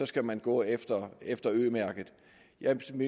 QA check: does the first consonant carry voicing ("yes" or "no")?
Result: no